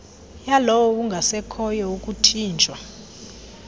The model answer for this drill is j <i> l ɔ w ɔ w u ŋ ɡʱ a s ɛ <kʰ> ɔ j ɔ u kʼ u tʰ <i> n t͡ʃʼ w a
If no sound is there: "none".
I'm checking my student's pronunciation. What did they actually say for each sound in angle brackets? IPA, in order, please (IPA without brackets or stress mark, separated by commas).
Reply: a, kʰ, iː